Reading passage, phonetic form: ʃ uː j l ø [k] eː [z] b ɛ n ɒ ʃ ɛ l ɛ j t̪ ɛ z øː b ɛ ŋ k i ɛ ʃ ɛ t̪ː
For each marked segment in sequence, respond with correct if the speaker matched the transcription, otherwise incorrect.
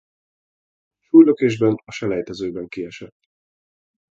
correct, incorrect: ʒ

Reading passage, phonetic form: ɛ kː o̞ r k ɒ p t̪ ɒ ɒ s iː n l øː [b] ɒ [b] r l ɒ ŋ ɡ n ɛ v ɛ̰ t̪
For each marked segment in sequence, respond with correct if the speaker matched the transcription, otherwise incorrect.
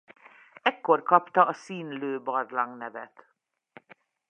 correct, incorrect: none

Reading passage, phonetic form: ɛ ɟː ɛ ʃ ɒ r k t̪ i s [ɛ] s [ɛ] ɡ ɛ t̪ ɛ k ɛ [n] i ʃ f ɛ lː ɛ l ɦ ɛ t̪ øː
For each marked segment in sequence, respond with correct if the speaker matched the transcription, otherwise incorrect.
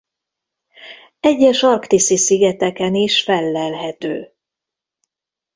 incorrect: i, incorrect: i, correct

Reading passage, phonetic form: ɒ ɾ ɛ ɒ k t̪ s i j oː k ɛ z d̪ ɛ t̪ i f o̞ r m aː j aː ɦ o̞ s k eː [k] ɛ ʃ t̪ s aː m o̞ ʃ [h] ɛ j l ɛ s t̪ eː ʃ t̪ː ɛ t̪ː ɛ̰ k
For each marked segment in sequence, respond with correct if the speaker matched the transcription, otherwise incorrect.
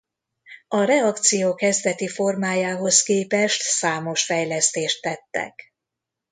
incorrect: p, incorrect: f

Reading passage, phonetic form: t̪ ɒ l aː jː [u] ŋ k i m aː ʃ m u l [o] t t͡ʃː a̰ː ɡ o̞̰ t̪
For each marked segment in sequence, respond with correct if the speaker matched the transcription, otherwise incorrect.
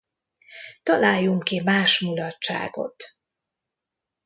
correct, incorrect: ɒ

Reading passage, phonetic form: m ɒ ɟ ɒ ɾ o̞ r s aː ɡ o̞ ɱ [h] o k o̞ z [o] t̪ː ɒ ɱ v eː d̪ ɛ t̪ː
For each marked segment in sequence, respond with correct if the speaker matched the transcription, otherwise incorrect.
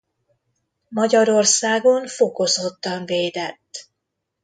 incorrect: f, correct

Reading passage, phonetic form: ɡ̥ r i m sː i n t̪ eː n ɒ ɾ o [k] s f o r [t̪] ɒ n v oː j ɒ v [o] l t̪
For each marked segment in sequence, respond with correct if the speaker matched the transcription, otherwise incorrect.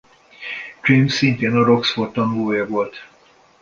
correct, correct, correct

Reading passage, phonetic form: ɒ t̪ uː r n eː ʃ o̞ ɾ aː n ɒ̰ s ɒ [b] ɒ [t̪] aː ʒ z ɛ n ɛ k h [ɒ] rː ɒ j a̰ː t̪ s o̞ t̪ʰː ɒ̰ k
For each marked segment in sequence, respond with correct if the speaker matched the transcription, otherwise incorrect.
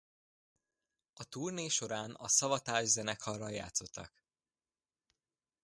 incorrect: v, correct, correct

